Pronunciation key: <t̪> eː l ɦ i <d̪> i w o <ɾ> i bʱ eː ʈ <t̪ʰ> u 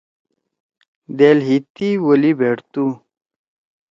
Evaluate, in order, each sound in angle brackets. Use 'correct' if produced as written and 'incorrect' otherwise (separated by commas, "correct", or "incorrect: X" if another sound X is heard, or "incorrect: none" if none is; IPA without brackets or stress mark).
incorrect: d̪, incorrect: t̪, incorrect: l, incorrect: t̪